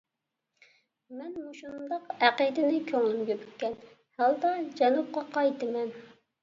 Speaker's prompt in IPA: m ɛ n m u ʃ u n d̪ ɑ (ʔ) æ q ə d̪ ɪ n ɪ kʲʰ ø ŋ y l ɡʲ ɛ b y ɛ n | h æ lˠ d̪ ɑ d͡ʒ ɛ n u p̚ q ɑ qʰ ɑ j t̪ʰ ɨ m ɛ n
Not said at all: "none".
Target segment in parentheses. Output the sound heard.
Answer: q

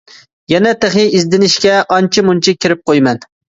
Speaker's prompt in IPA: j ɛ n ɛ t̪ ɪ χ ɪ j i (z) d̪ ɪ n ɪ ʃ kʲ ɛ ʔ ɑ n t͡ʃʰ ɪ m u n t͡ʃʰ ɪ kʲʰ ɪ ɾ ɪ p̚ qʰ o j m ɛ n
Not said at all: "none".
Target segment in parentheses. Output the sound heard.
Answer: z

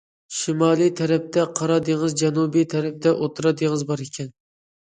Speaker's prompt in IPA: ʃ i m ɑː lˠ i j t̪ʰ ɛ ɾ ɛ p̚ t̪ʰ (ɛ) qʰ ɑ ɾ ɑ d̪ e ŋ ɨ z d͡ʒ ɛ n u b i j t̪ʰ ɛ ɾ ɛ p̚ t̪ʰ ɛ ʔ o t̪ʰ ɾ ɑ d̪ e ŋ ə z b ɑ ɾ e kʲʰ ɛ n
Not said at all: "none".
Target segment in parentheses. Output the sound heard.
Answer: ɛ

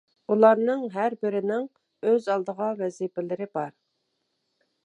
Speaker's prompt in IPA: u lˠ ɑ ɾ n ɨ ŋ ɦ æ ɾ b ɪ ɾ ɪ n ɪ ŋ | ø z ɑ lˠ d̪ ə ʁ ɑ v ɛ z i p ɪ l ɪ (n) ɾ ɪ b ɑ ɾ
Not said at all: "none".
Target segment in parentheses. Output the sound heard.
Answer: none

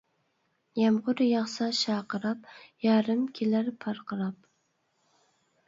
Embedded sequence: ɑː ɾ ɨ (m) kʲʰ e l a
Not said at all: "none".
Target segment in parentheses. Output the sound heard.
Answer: m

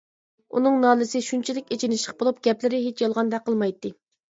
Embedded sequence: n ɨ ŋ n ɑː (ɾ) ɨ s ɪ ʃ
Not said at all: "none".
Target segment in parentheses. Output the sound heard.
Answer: l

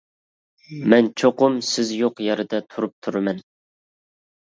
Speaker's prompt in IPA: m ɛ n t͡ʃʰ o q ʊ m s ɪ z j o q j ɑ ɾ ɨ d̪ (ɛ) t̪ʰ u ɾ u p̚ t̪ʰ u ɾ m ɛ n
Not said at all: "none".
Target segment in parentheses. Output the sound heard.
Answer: ɛ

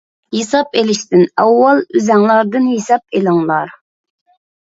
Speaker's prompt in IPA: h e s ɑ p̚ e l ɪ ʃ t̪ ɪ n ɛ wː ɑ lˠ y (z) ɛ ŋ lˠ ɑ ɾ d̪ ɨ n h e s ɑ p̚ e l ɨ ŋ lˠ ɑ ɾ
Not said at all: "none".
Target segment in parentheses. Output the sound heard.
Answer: z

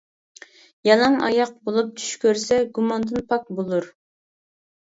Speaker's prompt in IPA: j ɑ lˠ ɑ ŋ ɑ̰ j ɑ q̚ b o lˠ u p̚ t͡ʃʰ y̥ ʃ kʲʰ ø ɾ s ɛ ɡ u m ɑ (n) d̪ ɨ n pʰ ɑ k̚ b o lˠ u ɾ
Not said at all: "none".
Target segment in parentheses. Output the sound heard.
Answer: n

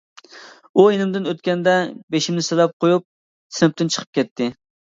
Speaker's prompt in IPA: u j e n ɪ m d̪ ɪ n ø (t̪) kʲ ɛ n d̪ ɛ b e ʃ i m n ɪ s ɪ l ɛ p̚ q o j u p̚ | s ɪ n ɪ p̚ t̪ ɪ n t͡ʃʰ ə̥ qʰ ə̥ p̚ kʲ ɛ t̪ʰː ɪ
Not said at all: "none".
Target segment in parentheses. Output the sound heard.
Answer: t̪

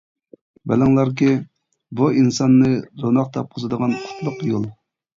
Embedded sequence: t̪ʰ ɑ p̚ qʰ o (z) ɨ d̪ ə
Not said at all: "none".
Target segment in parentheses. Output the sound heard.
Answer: z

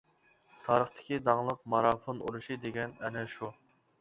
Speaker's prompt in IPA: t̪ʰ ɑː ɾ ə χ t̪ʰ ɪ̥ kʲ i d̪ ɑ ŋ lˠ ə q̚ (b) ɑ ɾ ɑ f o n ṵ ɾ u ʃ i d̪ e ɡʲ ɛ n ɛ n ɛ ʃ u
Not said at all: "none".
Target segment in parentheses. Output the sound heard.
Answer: m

